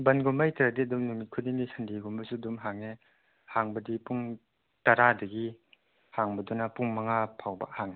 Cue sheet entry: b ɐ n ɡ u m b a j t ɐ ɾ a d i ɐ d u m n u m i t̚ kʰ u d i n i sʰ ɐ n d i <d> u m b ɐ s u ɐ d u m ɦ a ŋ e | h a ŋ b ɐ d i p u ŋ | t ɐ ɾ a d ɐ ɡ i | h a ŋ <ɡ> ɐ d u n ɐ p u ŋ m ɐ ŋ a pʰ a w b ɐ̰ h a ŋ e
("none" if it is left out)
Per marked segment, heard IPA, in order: ɡ, b

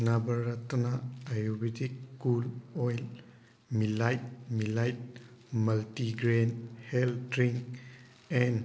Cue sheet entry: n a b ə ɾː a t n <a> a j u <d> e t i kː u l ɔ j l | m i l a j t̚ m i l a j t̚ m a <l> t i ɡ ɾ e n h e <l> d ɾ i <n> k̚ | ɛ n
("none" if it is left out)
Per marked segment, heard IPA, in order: a, b, l, l, ŋ

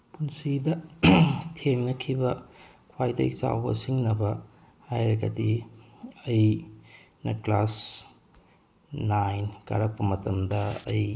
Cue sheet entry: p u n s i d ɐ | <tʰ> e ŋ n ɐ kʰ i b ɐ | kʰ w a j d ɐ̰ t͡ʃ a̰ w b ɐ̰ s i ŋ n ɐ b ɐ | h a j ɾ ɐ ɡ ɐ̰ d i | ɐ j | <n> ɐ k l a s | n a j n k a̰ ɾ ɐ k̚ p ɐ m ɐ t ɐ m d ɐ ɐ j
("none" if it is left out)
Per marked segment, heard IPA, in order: tʰ, n

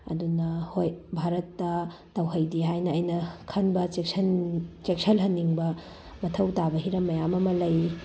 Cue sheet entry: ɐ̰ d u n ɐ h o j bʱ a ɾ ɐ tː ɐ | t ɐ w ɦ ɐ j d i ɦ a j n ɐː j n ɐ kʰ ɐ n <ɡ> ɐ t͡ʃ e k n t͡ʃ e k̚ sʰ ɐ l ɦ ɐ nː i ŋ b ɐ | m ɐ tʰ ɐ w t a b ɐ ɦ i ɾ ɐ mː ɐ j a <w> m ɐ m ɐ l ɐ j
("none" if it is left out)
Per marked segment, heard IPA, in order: b, none

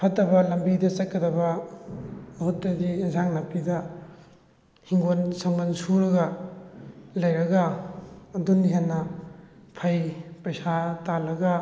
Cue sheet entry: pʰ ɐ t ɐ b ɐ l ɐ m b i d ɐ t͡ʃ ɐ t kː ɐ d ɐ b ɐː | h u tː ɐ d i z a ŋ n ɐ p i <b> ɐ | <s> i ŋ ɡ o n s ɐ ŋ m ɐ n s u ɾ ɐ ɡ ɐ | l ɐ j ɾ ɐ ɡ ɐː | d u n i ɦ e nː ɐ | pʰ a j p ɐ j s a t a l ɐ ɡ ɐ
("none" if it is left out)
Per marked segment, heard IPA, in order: d, h

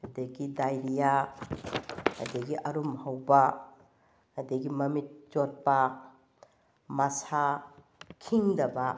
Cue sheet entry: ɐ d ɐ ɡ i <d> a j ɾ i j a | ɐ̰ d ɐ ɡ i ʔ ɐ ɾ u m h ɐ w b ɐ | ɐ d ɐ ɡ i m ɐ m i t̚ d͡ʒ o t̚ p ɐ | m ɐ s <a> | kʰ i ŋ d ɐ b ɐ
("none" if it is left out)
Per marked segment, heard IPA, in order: d, a

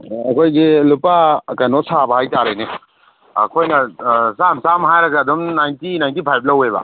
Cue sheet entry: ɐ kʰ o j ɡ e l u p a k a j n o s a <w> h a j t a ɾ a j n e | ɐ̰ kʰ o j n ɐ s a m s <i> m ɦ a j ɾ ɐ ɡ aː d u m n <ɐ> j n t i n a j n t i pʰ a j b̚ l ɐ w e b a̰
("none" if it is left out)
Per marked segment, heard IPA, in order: b, a, a

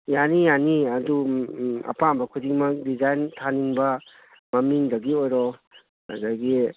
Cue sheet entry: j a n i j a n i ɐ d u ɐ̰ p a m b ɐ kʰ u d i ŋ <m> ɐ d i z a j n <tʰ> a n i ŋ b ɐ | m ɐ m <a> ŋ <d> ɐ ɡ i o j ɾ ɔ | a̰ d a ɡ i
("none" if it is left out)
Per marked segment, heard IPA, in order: m, tʰ, i, d

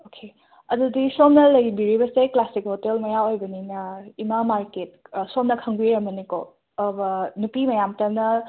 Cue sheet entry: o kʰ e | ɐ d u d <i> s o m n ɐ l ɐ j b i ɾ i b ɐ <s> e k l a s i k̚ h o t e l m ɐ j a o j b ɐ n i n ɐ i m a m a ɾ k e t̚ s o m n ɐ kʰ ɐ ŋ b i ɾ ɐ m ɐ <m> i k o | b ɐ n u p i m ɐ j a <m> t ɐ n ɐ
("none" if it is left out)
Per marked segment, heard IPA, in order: i, s, n, m

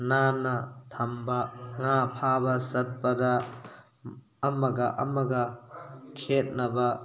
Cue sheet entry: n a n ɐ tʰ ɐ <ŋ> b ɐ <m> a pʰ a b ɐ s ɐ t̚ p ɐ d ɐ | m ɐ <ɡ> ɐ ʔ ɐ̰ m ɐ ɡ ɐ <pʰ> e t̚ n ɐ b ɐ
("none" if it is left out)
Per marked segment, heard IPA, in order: m, ŋ, ɡ, kʰ

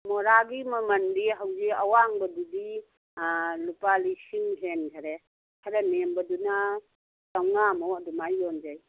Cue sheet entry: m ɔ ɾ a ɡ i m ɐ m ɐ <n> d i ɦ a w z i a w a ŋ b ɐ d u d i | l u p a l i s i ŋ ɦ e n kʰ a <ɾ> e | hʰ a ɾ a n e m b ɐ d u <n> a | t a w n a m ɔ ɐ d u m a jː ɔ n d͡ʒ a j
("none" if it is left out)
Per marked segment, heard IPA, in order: n, ɾ, n

